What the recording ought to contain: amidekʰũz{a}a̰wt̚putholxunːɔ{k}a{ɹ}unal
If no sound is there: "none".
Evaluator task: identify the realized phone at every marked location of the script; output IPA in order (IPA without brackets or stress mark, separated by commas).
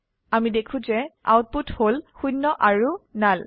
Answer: ɛ, ʔ, ɹ